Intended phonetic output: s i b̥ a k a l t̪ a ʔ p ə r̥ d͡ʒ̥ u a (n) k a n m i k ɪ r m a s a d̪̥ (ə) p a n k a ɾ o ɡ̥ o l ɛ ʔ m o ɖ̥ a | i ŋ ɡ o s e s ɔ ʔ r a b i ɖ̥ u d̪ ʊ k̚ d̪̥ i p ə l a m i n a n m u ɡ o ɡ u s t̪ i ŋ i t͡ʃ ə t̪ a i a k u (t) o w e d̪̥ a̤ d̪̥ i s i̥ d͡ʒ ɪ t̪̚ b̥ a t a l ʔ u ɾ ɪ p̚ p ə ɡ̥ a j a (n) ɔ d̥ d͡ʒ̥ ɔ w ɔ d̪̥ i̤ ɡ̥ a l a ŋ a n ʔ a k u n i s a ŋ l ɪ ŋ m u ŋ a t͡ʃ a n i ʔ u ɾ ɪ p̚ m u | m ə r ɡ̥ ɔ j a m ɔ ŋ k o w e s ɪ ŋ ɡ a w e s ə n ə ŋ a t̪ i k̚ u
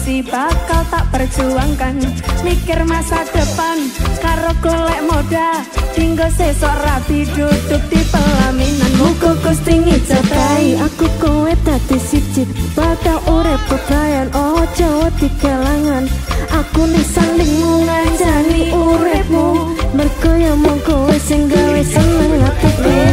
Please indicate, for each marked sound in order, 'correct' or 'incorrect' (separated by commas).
incorrect, correct, incorrect, correct